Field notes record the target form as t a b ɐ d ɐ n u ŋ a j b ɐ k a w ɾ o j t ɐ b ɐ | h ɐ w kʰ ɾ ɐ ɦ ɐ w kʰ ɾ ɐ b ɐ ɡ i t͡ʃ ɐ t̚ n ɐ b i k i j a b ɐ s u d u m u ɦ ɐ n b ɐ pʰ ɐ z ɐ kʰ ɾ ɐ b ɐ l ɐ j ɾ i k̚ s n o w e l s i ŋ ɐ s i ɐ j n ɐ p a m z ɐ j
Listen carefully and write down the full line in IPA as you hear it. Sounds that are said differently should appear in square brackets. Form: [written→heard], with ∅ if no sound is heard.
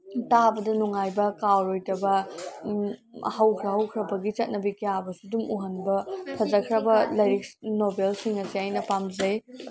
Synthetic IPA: t a b ɐ d ɐ n u ŋ a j b ɐ k a w ɾ o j t ɐ b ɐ | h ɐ w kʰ ɾ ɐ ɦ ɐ w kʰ ɾ ɐ b ɐ ɡ i t͡ʃ ɐ t̚ n ɐ b i k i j a b ɐ s u d u m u ɦ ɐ n b ɐ pʰ ɐ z ɐ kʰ ɾ ɐ b ɐ l ɐ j ɾ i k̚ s n o [w→b] e l s i ŋ ɐ s i [ɐ→a] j n ɐ p a m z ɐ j